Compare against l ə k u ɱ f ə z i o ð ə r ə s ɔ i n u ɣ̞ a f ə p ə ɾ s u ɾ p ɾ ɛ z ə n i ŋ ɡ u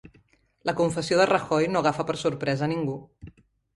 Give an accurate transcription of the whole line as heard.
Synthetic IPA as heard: l ə k u ɱ f ə s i o ð ə r ə x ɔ j n o ɣ̞ a f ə p ə ɾ s u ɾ p ɾ ɛ z ə n i ŋ ɡ u